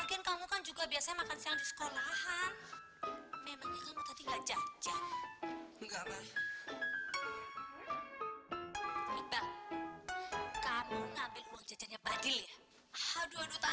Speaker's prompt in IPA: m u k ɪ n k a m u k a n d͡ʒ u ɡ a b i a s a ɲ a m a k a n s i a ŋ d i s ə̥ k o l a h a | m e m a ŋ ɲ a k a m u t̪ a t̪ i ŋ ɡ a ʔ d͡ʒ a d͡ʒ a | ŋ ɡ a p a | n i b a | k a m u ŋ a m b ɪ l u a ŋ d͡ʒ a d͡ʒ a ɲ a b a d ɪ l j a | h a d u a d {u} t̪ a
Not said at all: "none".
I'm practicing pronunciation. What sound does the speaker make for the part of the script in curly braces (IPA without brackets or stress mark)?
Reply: u